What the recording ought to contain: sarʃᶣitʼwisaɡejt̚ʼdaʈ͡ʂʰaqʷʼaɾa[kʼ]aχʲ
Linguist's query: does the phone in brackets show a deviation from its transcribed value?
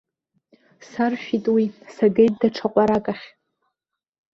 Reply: no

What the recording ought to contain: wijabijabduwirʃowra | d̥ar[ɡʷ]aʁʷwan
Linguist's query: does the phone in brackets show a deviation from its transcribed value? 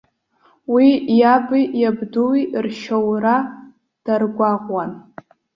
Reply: no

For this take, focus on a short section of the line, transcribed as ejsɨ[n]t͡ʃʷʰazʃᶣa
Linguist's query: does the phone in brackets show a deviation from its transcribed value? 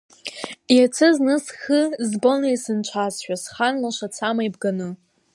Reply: no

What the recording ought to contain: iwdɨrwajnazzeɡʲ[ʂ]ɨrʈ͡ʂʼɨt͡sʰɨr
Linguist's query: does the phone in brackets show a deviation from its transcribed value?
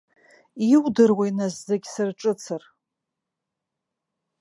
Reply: yes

